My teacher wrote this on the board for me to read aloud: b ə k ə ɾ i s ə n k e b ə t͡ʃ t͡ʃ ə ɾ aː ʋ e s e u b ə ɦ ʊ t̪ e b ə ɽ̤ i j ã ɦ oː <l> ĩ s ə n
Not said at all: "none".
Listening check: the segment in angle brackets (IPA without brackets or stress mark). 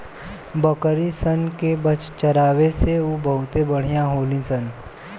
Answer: l